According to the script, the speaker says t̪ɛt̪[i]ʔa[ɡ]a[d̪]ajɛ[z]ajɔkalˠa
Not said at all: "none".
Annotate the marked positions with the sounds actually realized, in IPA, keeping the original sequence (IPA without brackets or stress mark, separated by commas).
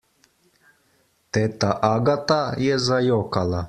a, ɡ, t̪, z